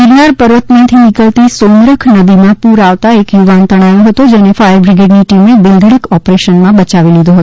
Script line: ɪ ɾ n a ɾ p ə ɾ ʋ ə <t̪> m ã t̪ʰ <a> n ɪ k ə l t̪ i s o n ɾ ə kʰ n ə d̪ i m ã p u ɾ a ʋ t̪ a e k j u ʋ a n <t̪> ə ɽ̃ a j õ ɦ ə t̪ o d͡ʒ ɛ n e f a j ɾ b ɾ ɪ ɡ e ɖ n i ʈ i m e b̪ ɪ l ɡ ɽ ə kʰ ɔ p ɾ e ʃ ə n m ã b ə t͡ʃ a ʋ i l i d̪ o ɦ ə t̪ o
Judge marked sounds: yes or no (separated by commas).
yes, no, yes